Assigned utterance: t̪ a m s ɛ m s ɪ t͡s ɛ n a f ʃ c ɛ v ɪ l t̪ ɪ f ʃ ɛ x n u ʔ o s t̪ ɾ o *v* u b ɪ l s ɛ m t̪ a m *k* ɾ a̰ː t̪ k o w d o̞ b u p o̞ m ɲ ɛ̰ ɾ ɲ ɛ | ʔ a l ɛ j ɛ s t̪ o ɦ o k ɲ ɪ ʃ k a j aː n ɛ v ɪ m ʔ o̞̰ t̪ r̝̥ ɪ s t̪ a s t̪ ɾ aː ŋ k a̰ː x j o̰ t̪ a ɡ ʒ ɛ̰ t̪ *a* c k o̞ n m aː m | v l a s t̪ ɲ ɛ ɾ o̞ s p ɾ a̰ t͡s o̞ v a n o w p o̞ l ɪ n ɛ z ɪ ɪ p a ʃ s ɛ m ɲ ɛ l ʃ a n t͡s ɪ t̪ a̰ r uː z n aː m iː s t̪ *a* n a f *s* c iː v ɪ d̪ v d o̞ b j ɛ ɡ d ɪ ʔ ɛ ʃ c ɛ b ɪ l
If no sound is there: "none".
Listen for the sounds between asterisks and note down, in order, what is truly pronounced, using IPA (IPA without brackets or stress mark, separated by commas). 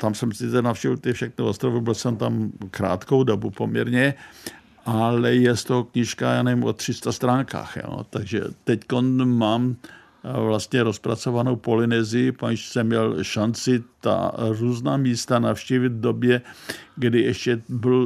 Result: v, k, ɛ, a, ʃ